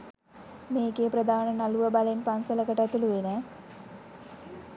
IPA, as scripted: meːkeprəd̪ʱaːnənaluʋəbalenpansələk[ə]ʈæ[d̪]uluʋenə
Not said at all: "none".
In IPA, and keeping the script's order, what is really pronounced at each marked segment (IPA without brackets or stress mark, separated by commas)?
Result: ə, t̪